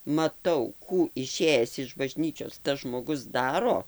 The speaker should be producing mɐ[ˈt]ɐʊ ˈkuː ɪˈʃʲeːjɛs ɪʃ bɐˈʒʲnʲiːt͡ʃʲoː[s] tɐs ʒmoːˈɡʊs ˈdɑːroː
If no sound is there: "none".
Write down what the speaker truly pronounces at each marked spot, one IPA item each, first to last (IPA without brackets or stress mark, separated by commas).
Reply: t, s